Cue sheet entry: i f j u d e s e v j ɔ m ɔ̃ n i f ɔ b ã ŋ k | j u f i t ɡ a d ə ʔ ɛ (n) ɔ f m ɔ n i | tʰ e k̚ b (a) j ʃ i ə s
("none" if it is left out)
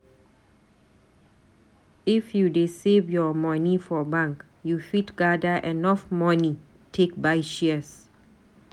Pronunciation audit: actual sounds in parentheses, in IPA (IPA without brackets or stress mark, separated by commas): n, a